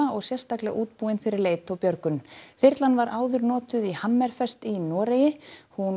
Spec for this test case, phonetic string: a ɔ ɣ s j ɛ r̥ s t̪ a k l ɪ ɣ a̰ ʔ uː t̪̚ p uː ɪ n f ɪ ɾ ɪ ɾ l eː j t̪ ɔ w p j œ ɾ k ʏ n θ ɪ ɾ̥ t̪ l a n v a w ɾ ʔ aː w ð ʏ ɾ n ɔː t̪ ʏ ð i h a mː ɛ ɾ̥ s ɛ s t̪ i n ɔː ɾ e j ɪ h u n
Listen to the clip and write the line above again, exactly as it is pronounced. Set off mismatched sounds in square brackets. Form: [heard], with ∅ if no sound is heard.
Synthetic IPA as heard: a ɔ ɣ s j ɛ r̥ s t̪ a k l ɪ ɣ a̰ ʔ uː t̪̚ p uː ɪ n f ɪ ɾ ɪ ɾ l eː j t̪ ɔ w p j œ ɾ k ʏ n θ ɪ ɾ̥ t̪ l a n v a [∅] ɾ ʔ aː w ð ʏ ɾ n ɔː t̪ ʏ ð i h a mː ɛ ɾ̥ [f] ɛ s t̪ i n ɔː ɾ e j ɪ h u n